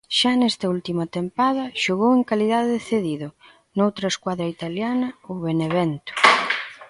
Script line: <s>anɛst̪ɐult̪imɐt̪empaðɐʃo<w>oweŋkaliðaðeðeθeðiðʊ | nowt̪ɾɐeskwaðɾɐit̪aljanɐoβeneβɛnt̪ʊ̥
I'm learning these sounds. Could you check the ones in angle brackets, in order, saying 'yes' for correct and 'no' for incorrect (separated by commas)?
no, no